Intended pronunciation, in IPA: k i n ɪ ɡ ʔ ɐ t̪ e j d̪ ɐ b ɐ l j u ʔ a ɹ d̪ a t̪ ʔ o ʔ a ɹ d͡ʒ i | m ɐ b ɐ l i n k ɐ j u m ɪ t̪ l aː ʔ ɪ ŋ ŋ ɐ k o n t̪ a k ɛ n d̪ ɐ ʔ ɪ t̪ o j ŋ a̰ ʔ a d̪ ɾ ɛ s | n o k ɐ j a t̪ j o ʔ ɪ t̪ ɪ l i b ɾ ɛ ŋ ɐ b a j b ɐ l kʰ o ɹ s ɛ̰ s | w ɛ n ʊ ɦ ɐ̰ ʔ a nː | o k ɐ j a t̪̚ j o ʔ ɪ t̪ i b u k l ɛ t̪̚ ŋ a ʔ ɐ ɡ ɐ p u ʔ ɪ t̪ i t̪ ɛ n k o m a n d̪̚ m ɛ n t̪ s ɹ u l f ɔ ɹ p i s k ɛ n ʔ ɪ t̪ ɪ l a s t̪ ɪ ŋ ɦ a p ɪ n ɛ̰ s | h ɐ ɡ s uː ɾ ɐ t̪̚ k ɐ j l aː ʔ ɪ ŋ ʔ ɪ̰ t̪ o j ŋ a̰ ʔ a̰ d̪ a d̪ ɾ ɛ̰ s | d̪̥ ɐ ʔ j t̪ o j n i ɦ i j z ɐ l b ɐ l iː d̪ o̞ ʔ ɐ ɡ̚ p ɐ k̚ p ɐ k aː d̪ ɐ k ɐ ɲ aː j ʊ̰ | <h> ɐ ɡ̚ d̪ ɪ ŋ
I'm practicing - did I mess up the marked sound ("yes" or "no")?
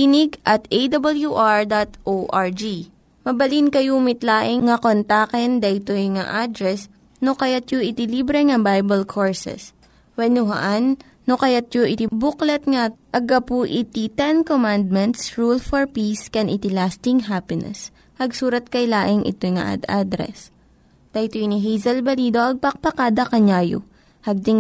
no